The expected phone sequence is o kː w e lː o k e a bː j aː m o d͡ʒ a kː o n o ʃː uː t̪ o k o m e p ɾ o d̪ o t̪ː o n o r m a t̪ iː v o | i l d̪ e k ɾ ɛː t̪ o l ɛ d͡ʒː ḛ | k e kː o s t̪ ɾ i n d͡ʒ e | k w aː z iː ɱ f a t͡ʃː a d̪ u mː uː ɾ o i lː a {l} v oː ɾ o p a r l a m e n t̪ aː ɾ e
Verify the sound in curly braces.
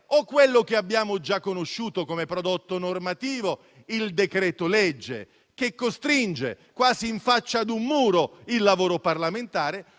incorrect: none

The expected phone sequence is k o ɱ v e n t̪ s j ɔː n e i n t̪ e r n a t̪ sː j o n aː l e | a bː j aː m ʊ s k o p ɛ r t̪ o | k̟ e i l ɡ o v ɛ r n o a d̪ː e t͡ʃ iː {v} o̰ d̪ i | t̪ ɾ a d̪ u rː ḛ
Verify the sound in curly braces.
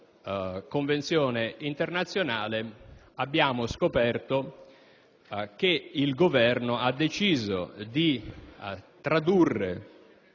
incorrect: z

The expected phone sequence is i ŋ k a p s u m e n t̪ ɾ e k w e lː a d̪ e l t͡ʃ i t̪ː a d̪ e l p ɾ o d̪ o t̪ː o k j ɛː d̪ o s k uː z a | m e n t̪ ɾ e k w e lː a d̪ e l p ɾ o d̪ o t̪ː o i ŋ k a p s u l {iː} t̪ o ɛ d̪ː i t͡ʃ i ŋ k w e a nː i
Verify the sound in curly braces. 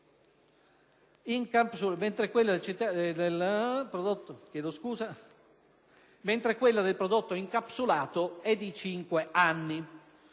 incorrect: aː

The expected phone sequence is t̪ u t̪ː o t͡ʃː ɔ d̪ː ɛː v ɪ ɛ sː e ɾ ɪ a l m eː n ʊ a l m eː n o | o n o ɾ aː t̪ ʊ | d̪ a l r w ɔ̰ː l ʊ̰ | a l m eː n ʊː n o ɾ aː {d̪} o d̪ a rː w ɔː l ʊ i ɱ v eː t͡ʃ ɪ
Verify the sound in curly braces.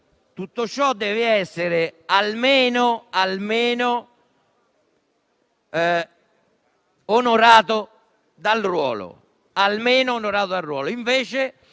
incorrect: t̪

